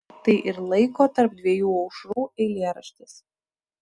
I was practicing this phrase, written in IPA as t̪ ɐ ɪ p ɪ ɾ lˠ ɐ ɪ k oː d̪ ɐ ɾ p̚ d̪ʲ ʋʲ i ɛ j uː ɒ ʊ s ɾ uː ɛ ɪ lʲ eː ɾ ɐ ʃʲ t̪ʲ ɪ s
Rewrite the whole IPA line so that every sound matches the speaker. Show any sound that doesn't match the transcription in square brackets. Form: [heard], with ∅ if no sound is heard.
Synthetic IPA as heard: t̪ ɐ ɪ [ʔ] ɪ ɾ lˠ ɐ ɪ k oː [t̪] ɐ ɾ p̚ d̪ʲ ʋʲ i ɛ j uː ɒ ʊ [ʃ] ɾ uː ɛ ɪ lʲ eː ɾ ɐ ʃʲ t̪ʲ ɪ s